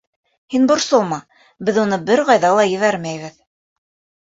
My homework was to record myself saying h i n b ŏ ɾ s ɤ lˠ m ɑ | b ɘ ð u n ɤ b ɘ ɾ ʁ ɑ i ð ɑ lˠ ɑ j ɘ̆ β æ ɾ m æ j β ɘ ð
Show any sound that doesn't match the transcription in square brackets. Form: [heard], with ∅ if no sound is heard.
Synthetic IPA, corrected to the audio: h i n b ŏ ɾ s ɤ lˠ m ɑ | b ɘ ð u n ɤ b ɘ ɾ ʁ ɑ [j] ð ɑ lˠ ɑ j ɘ̆ β æ ɾ m æ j β ɘ ð